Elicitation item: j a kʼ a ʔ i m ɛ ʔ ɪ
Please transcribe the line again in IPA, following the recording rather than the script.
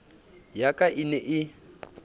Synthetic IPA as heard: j a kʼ a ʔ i n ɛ ʔ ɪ